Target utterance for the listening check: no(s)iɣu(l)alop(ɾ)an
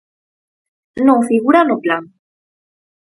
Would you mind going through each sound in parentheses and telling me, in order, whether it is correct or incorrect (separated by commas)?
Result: incorrect, incorrect, incorrect